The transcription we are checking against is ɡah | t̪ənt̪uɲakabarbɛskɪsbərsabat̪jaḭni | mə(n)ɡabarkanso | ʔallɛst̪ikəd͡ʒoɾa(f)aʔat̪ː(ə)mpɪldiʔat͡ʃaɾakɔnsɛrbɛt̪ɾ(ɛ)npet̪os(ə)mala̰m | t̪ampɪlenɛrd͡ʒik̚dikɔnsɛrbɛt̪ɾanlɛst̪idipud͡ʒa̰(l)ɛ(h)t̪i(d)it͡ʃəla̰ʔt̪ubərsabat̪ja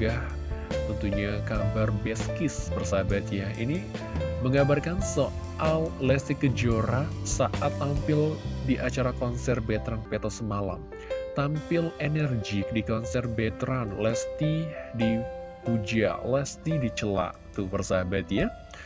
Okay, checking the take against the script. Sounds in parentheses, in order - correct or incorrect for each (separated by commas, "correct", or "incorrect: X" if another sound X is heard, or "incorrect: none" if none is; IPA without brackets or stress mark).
incorrect: ŋ, incorrect: s, incorrect: a, incorrect: a, correct, correct, incorrect: s, correct